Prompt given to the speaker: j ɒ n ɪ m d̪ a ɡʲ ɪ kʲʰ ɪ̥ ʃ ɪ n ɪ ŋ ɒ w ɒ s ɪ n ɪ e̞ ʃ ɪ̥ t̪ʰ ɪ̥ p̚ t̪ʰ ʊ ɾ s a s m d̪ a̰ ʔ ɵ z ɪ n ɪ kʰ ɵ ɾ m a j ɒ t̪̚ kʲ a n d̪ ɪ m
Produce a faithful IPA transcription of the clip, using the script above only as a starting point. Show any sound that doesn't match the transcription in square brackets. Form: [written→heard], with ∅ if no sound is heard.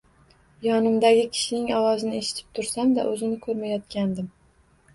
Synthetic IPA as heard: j ɒ n ɪ m d̪ a ɡʲ ɪ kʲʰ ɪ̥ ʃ ɪ n ɪ ŋ ɒ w ɒ [s→z] ɪ n ɪ e̞ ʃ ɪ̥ t̪ʰ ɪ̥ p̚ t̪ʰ ʊ ɾ s a [s→∅] m d̪ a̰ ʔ ɵ z ɪ n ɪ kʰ ɵ ɾ m a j ɒ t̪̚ kʲ a n d̪ ɪ m

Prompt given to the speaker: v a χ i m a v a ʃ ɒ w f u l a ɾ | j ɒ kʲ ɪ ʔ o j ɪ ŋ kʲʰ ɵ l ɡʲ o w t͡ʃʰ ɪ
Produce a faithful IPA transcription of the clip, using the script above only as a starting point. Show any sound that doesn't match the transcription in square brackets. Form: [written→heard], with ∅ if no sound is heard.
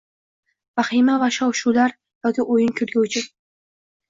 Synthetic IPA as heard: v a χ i m a v a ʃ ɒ w [f→ʃ] u l a ɾ | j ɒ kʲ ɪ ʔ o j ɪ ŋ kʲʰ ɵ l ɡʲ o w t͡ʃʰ ɪ

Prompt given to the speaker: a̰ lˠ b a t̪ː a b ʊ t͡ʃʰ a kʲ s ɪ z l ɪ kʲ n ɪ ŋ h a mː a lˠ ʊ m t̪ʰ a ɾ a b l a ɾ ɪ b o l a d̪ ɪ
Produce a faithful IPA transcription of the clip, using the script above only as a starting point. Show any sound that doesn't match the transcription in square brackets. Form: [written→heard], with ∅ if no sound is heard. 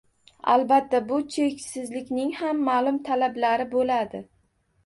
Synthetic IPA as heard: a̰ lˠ b a t̪ː a b ʊ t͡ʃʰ [a→e] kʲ s ɪ z l ɪ kʲ n ɪ ŋ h a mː a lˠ ʊ m t̪ʰ a [ɾ→l] a b l a ɾ ɪ b o l a d̪ ɪ

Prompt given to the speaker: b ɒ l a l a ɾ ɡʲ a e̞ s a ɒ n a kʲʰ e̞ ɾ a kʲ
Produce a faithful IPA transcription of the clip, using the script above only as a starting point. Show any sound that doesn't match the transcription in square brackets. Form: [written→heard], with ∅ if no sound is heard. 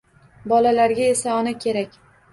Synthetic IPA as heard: b ɒ l a l a ɾ ɡʲ a e̞ s a ɒ n a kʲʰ e̞ ɾ a kʲ

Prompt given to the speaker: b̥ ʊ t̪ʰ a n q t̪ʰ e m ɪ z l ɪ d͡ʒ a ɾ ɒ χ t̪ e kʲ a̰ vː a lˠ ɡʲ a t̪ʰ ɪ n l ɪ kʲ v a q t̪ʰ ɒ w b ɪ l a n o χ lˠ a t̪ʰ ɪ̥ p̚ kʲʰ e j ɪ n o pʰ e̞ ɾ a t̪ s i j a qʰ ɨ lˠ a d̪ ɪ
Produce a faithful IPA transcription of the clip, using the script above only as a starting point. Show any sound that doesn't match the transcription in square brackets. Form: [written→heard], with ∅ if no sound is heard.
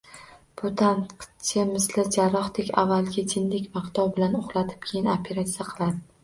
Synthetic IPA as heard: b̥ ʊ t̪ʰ a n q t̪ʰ e m ɪ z l ɪ d͡ʒ a ɾ ɒ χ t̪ e kʲ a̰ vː a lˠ ɡʲ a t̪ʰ ɪ n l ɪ kʲ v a q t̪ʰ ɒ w b ɪ l a n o χ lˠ a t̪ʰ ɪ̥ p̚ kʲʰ e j ɪ n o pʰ e̞ ɾ a t̪ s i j a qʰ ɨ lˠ a d̪ ɪ

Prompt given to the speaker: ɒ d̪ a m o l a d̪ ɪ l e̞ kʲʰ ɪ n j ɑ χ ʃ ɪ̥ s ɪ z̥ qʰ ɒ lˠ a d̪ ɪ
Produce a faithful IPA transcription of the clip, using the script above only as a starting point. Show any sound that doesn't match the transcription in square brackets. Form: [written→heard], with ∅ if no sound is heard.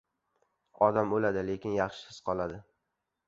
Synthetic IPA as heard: ɒ d̪ a m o l a d̪ ɪ l e̞ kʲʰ ɪ n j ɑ χ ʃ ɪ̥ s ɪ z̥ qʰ ɒ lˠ a d̪ ɪ

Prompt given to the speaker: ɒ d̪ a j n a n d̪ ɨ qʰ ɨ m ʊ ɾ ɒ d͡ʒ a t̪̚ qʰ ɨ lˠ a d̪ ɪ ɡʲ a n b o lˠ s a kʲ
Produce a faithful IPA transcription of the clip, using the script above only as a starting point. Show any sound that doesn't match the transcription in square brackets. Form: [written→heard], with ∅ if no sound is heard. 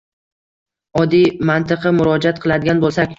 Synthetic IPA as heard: ɒ d̪ [a→i] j [n→m] a n [d̪→t̪] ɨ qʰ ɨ m ʊ ɾ ɒ d͡ʒ a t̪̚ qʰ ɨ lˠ a d̪ ɪ ɡʲ a n b o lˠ s a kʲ

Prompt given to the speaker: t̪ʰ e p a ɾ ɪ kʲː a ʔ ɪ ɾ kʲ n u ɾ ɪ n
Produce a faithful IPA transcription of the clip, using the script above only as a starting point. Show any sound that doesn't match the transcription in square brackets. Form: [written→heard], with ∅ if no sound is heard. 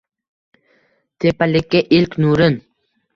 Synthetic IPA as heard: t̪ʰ e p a [ɾ→l] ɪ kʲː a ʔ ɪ [ɾ→l] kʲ n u ɾ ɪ n

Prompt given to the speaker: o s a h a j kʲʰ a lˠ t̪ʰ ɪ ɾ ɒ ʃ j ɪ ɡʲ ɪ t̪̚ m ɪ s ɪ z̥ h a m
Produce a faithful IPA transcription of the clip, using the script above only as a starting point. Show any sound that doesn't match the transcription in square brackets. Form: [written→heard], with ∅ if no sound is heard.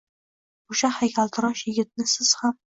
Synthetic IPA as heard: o [s→ʃ] a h a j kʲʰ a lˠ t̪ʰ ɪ ɾ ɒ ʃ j ɪ ɡʲ ɪ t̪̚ [m→n] ɪ s ɪ z̥ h a m

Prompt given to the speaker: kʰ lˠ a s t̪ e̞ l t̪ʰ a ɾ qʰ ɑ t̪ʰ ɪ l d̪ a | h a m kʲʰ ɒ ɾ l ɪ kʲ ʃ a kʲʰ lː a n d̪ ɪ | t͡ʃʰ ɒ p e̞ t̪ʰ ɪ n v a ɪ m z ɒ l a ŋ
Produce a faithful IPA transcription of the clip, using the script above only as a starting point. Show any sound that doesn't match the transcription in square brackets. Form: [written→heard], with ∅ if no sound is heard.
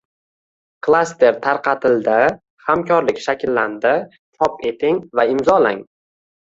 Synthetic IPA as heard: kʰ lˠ a s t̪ e̞ [l→ɾ] t̪ʰ a ɾ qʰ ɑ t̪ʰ ɪ l d̪ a | h a m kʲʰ ɒ ɾ l ɪ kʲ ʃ a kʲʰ lː a n d̪ ɪ | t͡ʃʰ ɒ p e̞ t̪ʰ ɪ [n→ŋ] v a ɪ m z ɒ l a ŋ

